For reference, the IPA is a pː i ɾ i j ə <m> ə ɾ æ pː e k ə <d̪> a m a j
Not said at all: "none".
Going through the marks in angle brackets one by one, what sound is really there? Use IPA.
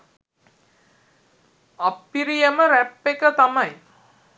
m, t̪

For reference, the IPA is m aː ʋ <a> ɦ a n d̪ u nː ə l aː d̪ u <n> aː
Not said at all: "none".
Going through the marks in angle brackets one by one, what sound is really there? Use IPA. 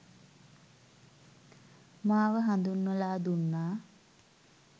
ə, nː

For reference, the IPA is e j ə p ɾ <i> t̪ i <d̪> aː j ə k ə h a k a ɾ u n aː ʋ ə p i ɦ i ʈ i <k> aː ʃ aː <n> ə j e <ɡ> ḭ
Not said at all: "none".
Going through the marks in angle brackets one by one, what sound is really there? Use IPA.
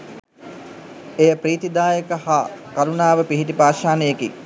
iː, d̪, p, n, k

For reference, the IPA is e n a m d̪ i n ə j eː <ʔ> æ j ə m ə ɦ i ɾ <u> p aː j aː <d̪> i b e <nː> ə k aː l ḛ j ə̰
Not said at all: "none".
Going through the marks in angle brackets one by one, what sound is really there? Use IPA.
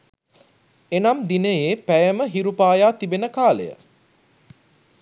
p, u, t̪, n

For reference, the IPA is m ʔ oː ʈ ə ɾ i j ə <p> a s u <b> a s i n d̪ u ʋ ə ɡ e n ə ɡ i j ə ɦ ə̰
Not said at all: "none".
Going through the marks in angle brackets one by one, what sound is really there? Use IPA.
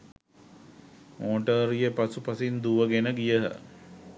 p, p

